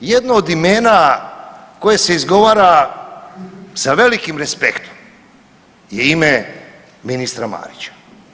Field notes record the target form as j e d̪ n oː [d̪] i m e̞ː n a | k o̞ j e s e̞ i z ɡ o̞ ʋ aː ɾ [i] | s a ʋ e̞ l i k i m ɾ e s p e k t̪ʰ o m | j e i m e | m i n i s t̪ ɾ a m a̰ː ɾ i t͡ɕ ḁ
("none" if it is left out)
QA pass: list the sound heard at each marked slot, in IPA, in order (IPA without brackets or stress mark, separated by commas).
d̪, a